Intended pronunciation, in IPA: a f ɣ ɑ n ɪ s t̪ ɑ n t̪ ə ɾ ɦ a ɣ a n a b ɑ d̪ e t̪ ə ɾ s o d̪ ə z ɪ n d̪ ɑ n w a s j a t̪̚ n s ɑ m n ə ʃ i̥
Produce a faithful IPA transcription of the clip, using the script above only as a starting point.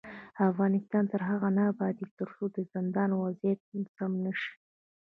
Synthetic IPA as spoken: a f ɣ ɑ n ɪ s t̪ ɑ n t̪ ə ɾ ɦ a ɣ a n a b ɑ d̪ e t̪ ə ɾ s o d̪ ə z ɪ n d̪ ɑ n w a z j a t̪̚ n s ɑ m n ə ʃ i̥